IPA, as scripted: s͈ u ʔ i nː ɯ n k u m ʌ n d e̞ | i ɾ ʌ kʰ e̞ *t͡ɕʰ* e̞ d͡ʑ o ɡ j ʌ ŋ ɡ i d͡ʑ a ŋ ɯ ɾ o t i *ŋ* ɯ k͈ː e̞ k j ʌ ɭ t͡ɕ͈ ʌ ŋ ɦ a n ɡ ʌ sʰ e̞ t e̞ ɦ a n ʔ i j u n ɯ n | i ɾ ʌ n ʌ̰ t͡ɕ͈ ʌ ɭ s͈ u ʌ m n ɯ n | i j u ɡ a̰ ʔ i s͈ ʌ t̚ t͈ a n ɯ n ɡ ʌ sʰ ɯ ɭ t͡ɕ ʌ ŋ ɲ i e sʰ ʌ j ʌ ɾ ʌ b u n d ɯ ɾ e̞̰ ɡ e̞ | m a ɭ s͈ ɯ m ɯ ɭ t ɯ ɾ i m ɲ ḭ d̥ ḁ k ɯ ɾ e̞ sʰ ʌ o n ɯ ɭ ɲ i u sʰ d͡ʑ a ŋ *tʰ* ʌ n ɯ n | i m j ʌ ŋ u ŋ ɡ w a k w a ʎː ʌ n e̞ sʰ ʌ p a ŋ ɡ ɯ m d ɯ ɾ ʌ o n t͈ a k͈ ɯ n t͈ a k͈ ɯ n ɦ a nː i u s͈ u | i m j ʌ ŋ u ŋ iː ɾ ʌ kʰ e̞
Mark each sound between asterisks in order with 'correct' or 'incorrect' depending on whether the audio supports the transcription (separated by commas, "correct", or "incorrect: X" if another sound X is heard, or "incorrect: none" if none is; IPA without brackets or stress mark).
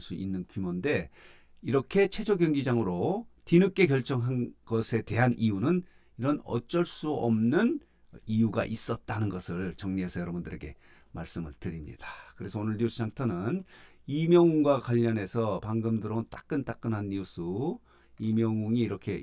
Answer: correct, incorrect: n, correct